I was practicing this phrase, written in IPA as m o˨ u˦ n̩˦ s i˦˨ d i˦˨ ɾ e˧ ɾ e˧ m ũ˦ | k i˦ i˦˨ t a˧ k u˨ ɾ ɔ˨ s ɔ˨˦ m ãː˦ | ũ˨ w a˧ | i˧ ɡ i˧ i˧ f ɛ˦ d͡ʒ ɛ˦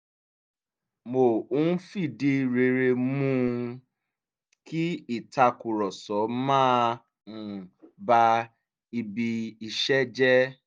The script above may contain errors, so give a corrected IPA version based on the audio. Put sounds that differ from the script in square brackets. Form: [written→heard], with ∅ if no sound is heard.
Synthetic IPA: m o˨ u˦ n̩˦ [s→f] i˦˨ d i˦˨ ɾ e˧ ɾ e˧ m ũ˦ | k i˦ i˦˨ t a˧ k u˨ ɾ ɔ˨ s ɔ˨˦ m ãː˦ | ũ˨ [w→b] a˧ | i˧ [ɡ→b] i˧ i˧ [f→ʃ] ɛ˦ d͡ʒ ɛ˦